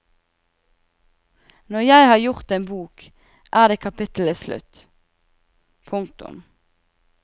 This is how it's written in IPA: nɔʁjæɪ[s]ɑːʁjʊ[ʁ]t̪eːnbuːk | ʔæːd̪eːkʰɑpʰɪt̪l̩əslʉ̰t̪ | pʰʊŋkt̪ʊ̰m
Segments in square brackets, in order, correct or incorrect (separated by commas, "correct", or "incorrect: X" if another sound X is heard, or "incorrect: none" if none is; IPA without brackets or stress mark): incorrect: h, correct